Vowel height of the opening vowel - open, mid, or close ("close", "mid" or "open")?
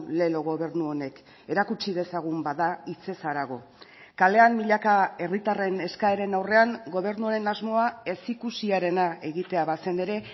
mid